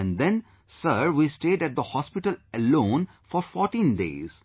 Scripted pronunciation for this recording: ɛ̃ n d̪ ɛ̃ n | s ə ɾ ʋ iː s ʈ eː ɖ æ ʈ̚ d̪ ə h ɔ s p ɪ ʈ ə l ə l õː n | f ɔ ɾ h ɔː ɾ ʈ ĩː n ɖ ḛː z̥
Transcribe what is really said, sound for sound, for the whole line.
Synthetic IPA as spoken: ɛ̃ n d̪ ɛ̃ n | s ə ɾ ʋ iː s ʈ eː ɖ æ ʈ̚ d̪ ə h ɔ s p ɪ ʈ ə l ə l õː n | f ɔ ɾ f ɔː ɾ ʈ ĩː n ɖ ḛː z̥